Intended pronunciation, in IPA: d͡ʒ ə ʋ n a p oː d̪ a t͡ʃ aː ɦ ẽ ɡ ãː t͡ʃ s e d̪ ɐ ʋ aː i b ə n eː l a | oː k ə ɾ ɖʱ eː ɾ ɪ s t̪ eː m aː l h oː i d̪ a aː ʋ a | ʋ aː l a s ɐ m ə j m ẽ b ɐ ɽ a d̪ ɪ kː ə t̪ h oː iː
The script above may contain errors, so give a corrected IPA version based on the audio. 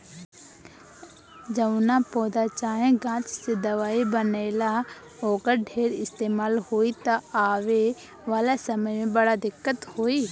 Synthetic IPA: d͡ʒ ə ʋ n a p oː d̪ a t͡ʃ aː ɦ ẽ ɡ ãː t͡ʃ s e d̪ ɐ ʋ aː i b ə n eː l a | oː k ə ɾ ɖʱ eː ɾ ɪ s t̪ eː m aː l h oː i t̪ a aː ʋ e | ʋ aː l a s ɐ m ə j m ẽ b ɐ ɽ a d̪ ɪ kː ə t̪ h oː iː